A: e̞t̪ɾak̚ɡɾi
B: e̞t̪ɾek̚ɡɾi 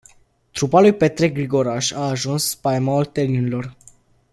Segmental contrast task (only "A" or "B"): B